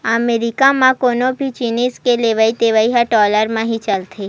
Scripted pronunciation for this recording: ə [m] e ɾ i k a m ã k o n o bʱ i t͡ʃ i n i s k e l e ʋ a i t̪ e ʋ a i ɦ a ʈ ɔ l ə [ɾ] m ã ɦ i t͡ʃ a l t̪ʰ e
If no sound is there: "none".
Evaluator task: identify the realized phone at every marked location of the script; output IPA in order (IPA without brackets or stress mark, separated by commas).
m, ɾ